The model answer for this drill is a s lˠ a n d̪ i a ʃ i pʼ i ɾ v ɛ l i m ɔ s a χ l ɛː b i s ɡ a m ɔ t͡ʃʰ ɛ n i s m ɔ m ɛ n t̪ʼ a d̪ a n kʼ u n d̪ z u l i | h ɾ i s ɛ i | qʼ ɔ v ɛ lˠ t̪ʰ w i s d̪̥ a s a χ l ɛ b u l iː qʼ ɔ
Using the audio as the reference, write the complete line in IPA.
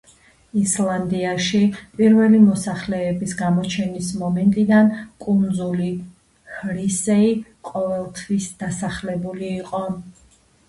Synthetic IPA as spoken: i s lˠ a n d̪ i a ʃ i pʼ i ɾ v ɛ l i m ɔ s a χ l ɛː b i s ɡ a m ɔ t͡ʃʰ ɛ n i s m ɔ m ɛ n t̪ʼ i d̪ a n kʼ u n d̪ z u l i | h ɾ i s ɛ i | qʼ ɔ v ɛ lˠ t̪ʰ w i s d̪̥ a s a χ l ɛ b u l iː qʼ ɔ